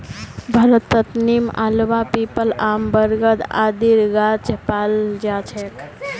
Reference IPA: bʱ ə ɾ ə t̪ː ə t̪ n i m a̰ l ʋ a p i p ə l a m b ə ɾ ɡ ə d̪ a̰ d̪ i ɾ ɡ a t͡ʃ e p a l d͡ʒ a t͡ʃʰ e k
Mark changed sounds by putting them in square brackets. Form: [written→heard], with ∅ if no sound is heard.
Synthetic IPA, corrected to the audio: bʱ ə ɾ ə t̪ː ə t̪ n i m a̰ l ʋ a p i p ə l a m b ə ɾ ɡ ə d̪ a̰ d̪ i ɾ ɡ a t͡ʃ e p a l d͡ʒ a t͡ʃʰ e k